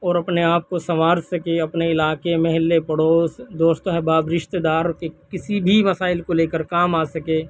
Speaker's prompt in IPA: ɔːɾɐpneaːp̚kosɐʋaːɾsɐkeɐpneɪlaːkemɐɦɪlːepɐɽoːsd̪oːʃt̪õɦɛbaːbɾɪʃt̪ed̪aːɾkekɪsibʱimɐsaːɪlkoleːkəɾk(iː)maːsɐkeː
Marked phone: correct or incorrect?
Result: incorrect